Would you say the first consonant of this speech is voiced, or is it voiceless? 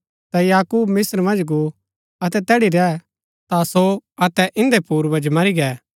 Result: voiceless